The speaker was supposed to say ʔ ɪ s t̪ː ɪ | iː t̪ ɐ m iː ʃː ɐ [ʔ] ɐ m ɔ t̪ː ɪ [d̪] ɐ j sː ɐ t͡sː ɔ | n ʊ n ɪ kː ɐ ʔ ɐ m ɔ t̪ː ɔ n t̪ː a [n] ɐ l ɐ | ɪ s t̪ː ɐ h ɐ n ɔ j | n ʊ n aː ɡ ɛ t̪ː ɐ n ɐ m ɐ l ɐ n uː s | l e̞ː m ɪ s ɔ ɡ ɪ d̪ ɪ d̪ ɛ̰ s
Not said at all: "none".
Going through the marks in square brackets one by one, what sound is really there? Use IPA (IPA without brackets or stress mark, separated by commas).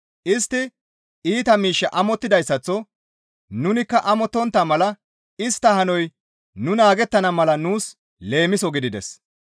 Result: ʔ, d̪, m